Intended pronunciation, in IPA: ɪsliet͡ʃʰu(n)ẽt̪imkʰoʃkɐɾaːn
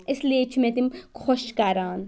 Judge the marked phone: incorrect: m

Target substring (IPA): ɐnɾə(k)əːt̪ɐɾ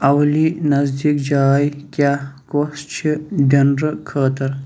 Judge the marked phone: incorrect: kʰ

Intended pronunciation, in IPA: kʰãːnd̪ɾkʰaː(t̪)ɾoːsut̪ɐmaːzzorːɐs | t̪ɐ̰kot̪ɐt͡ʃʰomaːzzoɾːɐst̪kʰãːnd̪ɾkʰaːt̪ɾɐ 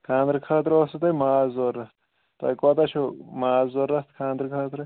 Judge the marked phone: correct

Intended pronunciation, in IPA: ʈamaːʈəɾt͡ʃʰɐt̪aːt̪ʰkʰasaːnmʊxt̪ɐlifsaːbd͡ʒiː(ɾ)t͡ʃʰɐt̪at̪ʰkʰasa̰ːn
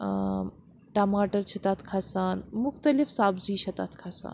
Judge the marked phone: incorrect: none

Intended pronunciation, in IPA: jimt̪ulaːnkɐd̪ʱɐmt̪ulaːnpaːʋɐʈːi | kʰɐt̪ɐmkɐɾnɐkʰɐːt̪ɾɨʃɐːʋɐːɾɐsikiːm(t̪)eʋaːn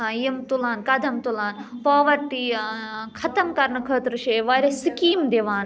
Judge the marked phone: incorrect: d̪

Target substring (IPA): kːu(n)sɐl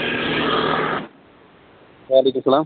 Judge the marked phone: incorrect: m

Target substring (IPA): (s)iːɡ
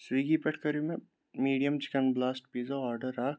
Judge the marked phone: correct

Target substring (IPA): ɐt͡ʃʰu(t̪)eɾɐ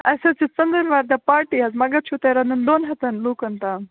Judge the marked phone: correct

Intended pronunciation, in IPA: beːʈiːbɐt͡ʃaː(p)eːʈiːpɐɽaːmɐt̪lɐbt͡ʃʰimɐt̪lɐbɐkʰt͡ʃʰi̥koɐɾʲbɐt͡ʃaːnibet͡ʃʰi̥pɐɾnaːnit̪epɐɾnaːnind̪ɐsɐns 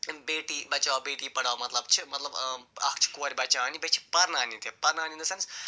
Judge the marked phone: incorrect: b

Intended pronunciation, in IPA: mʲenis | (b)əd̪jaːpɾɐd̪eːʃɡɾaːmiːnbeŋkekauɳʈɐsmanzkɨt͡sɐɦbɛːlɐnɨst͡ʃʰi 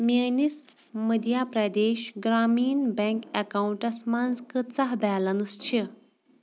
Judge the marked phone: incorrect: m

